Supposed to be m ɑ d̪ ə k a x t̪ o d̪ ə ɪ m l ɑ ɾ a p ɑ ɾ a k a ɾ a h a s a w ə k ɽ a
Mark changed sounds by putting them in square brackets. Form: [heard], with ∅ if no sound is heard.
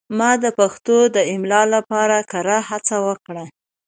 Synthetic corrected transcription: m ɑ d̪ ə [p] a x t̪ o d̪ ə ɪ m l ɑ [l] a p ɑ ɾ a k a ɾ a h a [t͡s] a w ə k ɽ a